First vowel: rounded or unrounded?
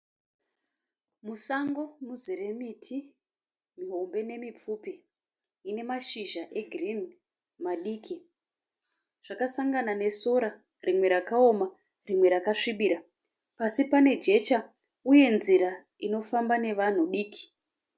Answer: rounded